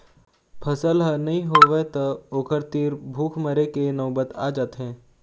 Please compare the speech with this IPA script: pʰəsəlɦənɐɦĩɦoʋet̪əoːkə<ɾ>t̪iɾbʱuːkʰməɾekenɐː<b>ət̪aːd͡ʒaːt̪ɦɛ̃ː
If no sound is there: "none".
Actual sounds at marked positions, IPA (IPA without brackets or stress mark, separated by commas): ɾ, b